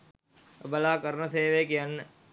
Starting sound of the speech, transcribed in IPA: b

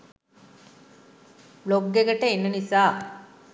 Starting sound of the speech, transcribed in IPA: b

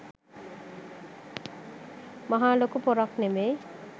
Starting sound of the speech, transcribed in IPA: m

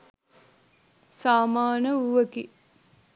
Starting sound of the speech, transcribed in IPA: s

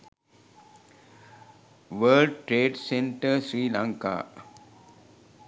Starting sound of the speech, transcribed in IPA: ʋ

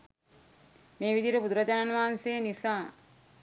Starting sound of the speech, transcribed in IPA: m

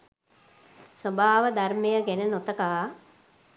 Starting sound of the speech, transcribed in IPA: s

